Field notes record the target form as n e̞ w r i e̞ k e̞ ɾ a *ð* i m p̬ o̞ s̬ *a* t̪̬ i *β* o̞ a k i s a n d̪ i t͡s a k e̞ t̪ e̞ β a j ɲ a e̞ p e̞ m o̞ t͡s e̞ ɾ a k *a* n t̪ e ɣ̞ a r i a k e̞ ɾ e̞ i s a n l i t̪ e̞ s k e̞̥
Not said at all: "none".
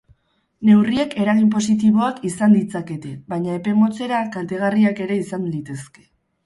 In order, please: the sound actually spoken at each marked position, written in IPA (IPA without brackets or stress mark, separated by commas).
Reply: ɣ, i, β, a